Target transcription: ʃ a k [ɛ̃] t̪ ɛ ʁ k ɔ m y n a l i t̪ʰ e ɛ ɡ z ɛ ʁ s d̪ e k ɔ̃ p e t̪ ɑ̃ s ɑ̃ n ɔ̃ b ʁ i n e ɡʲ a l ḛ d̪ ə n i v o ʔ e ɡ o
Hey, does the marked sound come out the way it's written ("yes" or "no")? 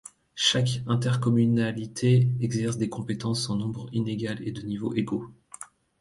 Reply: yes